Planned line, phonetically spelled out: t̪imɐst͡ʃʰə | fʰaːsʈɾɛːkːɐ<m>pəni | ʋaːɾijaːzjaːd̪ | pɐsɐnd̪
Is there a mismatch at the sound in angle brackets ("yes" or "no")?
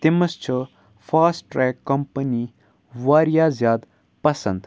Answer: no